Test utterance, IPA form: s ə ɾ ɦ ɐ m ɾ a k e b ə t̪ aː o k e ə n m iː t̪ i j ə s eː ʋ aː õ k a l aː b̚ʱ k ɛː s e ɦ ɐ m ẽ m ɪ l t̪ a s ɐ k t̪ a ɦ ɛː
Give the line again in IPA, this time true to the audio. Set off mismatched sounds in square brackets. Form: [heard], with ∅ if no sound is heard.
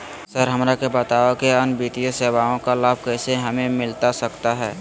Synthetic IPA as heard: s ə ɾ ɦ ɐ m ɾ a k e b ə t̪ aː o k e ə n [b] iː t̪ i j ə s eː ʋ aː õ k a l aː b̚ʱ k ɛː s e ɦ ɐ m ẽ m ɪ l t̪ a s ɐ k t̪ a ɦ ɛː